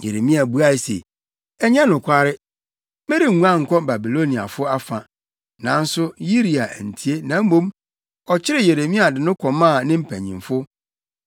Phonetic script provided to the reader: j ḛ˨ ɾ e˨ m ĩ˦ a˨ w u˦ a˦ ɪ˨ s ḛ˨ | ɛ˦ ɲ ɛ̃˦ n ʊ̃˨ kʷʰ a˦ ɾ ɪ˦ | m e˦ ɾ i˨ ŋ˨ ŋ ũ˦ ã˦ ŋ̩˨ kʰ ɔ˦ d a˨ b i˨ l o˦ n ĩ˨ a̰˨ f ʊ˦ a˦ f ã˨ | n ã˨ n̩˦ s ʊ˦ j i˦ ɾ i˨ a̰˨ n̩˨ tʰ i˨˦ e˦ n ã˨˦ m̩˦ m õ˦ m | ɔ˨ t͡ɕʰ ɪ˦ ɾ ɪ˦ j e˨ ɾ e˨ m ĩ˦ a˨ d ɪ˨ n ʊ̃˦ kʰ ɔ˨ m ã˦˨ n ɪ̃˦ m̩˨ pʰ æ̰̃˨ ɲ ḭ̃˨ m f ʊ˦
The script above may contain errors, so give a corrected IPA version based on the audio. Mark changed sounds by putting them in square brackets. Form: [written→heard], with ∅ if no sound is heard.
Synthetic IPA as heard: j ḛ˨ ɾ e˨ m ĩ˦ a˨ [w→b] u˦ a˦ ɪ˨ s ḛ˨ | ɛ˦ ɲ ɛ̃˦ n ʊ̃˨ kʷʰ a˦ ɾ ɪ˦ | m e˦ ɾ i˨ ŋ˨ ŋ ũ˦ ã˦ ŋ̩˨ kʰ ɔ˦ [d→b] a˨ b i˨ l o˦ n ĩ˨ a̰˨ f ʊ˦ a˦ f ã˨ | n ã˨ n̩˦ s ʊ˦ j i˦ ɾ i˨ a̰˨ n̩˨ tʰ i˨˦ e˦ n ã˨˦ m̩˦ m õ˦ m | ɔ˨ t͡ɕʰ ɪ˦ ɾ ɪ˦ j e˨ ɾ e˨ m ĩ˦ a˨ d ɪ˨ n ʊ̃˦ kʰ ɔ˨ m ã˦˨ n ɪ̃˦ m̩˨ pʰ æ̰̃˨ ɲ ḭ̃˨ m f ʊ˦